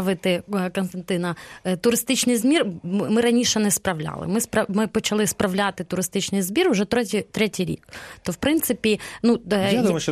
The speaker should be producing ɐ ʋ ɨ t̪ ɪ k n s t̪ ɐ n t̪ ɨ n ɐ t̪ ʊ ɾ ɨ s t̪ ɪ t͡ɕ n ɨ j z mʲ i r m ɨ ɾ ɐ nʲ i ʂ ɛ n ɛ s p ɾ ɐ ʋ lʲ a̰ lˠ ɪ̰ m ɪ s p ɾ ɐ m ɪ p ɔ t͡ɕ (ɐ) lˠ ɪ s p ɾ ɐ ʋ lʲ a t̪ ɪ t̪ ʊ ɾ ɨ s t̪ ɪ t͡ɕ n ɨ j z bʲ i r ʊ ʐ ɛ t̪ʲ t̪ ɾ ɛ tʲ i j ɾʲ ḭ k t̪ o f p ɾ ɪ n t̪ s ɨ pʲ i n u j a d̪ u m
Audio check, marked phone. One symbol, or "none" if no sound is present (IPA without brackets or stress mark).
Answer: ɐ